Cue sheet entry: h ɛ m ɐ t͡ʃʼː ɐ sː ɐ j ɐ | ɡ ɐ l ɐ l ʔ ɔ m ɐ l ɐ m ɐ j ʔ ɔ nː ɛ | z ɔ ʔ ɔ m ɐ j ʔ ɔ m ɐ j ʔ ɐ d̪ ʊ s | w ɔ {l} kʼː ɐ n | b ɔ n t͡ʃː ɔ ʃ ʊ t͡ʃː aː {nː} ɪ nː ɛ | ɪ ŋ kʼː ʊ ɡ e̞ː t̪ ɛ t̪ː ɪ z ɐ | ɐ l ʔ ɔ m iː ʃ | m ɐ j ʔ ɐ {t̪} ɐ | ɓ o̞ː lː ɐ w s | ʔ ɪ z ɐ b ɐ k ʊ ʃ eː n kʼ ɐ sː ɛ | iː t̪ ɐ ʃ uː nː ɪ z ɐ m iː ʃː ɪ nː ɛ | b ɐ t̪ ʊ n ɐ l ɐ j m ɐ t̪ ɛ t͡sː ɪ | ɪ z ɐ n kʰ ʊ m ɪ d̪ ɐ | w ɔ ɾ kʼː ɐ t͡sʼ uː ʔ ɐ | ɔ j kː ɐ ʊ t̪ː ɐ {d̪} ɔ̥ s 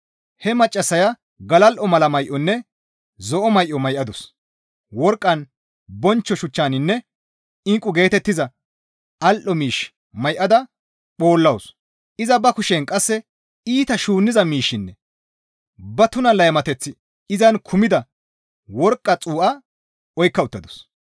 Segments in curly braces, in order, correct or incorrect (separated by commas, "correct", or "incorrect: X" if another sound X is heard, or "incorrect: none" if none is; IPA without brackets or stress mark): incorrect: ɾ, incorrect: n, incorrect: d̪, correct